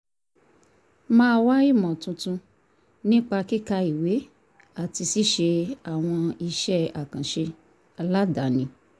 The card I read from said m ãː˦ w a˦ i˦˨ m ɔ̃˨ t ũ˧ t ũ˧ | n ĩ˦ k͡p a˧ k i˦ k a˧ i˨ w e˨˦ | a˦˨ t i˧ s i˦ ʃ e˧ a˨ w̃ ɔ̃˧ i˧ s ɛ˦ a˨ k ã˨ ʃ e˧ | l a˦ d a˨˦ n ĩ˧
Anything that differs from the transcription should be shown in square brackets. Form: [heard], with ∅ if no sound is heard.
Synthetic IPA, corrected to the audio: m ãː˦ w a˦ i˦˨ m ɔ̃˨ t ũ˧ t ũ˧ | n ĩ˦ k͡p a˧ k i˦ k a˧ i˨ w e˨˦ | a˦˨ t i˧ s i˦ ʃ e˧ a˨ w̃ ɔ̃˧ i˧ [ʃ] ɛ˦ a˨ k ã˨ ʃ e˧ | l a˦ d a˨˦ n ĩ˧

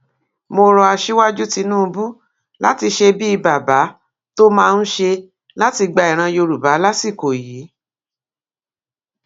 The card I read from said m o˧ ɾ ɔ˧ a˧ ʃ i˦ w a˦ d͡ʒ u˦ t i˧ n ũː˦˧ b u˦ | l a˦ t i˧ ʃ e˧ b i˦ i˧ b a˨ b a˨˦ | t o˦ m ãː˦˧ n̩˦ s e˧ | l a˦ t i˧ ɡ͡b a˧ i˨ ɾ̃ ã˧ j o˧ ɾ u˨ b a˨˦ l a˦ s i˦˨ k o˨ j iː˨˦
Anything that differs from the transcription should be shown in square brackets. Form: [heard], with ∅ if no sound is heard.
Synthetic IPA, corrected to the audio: m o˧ ɾ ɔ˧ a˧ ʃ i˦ w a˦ d͡ʒ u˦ t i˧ n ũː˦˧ b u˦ | l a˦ t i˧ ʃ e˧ b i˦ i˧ b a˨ b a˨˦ | t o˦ m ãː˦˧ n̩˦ [ʃ] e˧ | l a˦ t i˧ ɡ͡b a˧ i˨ ɾ̃ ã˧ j o˧ ɾ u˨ b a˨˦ l a˦ s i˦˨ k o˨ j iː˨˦

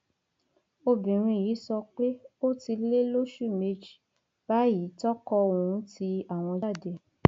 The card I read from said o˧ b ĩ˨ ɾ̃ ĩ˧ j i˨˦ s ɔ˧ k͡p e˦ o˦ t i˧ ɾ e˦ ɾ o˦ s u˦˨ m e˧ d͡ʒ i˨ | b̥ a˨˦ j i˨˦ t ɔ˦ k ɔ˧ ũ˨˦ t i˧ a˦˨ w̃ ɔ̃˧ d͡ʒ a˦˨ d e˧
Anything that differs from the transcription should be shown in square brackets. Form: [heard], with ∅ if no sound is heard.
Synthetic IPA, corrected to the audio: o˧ b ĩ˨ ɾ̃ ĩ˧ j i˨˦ s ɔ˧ k͡p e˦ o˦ t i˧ [l] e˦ [l] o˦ [ʃ] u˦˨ m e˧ d͡ʒ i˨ | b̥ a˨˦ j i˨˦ t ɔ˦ k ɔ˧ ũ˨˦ t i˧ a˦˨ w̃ ɔ̃˧ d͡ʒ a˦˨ d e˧

